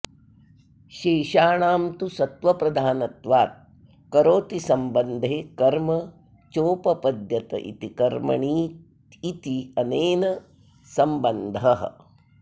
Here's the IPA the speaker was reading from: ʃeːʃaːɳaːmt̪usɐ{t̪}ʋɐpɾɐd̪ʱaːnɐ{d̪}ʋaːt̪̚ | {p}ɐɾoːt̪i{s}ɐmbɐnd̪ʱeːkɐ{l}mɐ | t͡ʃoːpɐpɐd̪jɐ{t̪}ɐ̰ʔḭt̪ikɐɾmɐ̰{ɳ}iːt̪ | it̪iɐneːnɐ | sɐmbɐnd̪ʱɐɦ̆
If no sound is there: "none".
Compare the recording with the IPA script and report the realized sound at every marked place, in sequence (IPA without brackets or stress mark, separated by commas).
t̪, t̪, k, s, ɾ, t̪, ɳ